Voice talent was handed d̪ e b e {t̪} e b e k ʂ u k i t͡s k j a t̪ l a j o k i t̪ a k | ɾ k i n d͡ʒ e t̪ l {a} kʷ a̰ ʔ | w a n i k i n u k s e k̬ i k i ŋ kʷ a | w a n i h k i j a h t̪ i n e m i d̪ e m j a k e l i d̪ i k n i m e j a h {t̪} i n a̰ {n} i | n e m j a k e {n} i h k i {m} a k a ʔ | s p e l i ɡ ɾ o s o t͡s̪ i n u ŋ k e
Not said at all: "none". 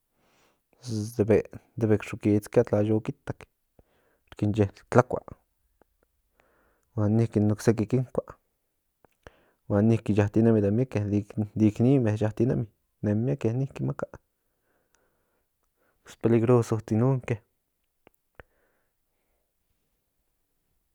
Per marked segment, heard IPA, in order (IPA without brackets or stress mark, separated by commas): d̪, a, t̪, m, n, m